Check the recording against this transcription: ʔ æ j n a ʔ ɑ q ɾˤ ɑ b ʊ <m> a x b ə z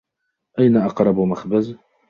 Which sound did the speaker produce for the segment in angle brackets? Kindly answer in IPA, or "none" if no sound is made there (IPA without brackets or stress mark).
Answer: m